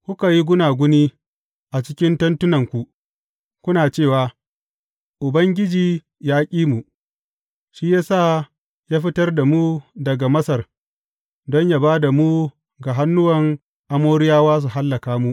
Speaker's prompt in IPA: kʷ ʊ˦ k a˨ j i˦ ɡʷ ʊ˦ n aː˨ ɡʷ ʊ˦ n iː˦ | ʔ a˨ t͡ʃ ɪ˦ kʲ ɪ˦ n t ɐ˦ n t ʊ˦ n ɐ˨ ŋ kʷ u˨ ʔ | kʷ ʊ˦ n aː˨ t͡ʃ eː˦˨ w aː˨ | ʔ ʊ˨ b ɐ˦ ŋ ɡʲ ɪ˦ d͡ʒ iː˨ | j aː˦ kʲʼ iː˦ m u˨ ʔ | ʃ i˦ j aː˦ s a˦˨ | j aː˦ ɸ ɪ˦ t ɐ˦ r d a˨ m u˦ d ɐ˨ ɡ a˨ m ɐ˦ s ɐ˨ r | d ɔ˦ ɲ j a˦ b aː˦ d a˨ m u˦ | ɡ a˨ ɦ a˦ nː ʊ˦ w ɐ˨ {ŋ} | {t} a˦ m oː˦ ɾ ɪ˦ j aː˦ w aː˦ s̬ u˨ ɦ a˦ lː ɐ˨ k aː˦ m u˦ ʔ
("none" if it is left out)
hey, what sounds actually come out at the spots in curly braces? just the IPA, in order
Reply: ŋ, ʔ

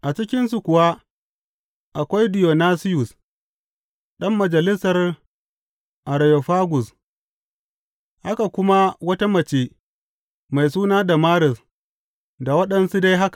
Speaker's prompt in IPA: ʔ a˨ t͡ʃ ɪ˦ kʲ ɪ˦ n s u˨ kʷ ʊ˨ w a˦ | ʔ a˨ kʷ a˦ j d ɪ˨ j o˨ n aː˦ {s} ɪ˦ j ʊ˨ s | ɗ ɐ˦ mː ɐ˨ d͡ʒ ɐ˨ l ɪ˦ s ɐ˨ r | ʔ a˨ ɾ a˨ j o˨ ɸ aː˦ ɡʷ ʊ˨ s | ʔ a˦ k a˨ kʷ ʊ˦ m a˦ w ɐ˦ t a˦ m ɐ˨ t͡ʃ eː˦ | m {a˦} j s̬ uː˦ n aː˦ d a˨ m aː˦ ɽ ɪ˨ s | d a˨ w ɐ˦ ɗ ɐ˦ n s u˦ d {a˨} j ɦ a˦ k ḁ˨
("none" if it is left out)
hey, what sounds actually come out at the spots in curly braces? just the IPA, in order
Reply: s, a˨, a˦

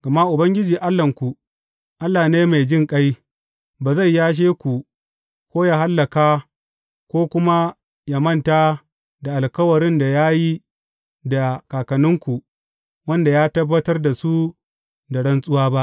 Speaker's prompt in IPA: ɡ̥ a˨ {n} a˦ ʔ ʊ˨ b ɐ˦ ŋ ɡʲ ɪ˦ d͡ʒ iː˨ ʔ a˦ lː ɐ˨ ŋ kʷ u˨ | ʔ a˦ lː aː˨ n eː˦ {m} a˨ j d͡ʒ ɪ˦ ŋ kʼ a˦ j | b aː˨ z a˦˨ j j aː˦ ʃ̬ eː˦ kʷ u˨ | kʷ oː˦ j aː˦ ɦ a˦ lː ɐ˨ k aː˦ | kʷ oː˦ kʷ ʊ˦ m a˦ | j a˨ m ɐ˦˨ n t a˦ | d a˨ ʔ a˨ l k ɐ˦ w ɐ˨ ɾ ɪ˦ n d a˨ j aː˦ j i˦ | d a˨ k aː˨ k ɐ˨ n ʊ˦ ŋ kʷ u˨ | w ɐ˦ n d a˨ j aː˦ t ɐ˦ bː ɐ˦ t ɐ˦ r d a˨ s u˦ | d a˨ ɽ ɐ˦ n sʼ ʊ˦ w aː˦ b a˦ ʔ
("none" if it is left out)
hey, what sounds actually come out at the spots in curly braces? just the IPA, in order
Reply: m, m

